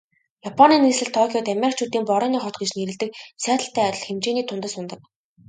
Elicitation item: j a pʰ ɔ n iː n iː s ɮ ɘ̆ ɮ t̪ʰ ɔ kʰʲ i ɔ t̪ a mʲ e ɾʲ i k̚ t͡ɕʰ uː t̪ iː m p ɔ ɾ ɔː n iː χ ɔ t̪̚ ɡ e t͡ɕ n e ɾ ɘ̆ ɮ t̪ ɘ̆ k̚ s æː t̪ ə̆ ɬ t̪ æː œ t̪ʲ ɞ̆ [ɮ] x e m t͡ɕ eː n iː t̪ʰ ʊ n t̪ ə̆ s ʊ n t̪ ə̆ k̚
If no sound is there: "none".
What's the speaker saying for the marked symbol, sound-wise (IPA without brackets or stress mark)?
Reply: ɮ